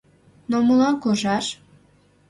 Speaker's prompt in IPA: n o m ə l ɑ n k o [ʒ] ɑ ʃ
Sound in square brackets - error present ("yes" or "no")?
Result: no